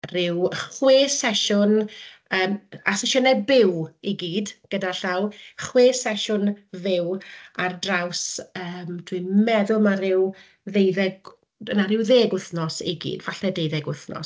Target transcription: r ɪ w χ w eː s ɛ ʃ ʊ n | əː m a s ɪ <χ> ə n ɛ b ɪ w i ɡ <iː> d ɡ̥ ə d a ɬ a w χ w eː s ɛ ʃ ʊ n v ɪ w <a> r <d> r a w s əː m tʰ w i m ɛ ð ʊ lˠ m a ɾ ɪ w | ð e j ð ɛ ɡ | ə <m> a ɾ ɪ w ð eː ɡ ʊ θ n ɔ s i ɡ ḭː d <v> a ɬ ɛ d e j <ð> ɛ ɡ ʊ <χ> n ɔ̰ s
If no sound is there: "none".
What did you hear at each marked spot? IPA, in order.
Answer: ʃ, iː, a, d, n, v, ð, θ

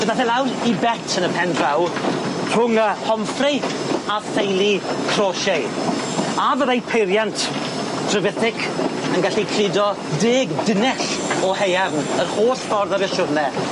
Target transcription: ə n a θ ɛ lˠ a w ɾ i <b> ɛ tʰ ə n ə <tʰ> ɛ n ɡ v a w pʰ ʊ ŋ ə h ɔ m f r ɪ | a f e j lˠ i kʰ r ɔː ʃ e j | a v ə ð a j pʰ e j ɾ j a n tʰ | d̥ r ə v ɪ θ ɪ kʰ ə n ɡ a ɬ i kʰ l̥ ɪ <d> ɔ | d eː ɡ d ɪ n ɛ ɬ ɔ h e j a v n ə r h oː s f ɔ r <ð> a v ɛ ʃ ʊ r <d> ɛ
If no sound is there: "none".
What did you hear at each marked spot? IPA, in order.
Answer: b, pʰ, d, ð, n

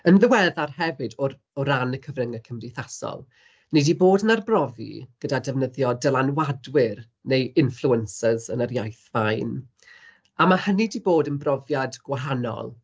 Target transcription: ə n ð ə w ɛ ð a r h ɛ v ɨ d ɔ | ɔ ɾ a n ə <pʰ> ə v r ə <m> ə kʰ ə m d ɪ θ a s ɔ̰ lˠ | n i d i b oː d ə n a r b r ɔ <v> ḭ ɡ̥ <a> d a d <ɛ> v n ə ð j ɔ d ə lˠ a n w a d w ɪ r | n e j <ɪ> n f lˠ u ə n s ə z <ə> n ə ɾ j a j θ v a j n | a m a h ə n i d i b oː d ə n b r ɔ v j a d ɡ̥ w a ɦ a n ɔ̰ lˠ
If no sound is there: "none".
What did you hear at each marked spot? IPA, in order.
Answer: kʰ, ŋ, v, ə, ɛ, ɪ, ə

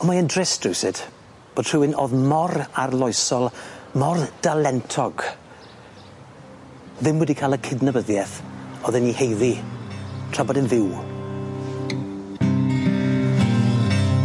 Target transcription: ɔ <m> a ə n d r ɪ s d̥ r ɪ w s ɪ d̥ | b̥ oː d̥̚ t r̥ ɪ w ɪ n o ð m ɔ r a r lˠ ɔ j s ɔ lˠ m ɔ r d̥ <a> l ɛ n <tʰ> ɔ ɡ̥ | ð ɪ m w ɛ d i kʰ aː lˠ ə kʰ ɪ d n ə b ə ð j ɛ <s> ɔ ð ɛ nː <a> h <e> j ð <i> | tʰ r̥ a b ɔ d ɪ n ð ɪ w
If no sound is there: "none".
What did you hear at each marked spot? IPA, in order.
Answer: m, a, tʰ, θ, i, e, i

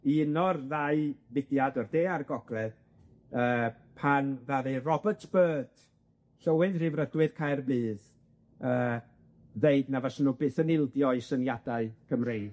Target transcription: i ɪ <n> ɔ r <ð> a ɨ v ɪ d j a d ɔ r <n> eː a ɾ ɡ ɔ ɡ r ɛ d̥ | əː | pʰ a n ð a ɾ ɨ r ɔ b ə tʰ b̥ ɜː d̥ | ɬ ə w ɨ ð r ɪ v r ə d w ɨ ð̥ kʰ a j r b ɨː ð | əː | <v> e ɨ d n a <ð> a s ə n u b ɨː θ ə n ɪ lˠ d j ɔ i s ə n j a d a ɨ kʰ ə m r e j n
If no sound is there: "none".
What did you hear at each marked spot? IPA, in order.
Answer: n, ð, d, ð, v

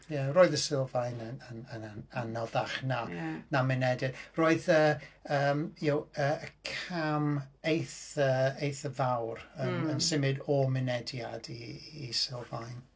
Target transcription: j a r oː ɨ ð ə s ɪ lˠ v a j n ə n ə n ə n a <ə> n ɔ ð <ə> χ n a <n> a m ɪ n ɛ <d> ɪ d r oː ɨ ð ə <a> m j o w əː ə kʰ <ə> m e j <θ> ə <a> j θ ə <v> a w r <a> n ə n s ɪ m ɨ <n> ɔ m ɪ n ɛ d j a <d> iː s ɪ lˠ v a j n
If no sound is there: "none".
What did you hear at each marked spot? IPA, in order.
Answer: a, a, n, d, ə, a, θ, e, v, ə, d, d

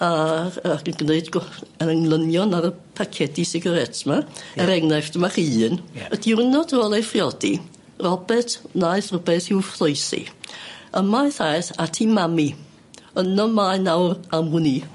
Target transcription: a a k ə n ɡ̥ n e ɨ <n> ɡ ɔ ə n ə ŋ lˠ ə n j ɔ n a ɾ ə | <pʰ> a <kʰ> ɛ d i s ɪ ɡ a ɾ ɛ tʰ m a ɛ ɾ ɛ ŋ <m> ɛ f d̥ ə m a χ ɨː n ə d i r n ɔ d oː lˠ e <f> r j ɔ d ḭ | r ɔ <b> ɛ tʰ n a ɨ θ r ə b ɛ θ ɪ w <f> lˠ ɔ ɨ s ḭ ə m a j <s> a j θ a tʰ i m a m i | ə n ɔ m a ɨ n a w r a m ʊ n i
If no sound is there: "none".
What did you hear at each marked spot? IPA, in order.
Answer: d, pʰ, kʰ, n, f, b, f, θ

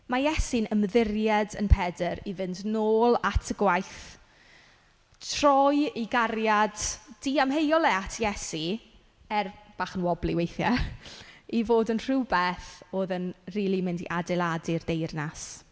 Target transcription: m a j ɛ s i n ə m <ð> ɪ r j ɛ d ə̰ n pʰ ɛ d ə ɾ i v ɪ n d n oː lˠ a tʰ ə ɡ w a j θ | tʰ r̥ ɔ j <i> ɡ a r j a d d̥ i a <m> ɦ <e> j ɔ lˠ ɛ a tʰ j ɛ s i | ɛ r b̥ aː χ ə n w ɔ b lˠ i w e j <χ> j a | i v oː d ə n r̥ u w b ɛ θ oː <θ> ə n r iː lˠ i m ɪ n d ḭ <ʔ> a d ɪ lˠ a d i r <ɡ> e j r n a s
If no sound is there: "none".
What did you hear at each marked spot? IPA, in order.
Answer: ð, i, m, e, θ, ð, ʔ, d

